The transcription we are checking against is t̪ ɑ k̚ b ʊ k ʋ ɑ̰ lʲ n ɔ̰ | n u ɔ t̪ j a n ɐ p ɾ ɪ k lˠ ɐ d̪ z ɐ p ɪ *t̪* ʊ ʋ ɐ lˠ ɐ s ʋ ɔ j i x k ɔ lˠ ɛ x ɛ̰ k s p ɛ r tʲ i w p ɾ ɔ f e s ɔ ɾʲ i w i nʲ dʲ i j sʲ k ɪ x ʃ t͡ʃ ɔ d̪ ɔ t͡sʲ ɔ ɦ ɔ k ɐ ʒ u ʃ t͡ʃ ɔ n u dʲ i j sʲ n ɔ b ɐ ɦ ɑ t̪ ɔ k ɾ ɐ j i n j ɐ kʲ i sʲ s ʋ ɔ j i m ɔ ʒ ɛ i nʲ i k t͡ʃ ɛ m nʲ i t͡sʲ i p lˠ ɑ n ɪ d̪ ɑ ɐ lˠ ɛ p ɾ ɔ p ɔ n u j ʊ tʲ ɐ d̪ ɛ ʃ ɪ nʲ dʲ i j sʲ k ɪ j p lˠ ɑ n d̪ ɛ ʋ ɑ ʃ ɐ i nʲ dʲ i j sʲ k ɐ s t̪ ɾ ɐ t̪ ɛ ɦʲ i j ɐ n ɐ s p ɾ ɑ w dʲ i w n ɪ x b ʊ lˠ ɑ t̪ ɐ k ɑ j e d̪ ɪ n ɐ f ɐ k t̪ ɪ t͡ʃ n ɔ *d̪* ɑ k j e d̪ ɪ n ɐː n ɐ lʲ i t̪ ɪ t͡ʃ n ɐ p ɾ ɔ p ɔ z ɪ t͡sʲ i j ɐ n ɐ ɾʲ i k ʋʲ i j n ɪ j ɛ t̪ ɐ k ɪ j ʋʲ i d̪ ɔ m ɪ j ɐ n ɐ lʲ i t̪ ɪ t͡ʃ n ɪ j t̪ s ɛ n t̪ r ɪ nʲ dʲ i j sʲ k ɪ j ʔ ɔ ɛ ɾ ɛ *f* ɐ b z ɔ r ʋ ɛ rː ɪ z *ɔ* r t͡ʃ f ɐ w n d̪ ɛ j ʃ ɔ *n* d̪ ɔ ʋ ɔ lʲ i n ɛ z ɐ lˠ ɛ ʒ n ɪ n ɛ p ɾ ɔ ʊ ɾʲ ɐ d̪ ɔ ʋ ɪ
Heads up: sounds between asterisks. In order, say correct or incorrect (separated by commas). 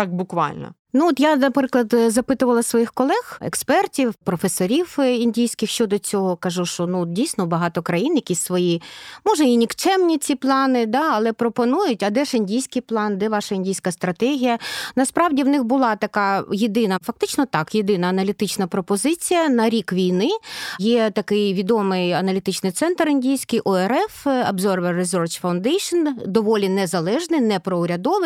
correct, incorrect, correct, correct, correct